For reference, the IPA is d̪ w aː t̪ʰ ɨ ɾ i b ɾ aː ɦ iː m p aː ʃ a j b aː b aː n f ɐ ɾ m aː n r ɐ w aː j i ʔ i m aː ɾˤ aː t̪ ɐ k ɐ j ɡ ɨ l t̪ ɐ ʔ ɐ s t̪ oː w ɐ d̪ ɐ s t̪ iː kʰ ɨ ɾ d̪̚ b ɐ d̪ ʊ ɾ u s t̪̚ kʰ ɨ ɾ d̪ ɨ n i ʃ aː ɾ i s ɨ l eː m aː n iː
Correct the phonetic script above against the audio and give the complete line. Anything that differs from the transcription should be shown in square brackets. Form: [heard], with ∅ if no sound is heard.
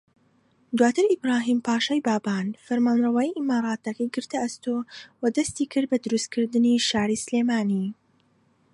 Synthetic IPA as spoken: d̪ w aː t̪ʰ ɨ ɾ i b ɾ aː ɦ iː m p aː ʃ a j b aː b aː n f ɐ ɾ m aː n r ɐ w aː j i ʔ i m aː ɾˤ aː t̪ ɐ k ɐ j ɡ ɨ [ɾ] t̪ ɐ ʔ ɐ s t̪ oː w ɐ d̪ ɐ s t̪ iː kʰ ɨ ɾ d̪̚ b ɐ d̪ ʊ ɾ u s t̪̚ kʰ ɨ ɾ d̪ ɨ n i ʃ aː ɾ i s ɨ l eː m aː n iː